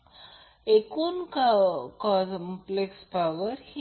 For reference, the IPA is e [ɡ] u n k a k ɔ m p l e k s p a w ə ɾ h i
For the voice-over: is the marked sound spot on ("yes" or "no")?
no